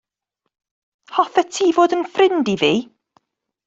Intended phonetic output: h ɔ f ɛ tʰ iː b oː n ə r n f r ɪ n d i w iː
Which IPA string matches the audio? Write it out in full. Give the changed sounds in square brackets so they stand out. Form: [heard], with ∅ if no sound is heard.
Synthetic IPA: h ɔ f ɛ tʰ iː [v] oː [d] ə [∅] n f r ɪ n d i [v] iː